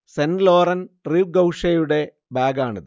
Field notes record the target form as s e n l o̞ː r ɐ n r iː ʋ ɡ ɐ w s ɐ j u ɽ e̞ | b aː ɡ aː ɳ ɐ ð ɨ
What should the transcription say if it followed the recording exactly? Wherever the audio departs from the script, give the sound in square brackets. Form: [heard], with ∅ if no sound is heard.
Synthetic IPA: s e n l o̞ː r ɐ n r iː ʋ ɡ ɐ w [ʂ] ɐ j u ɽ e̞ | b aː ɡ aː ɳ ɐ ð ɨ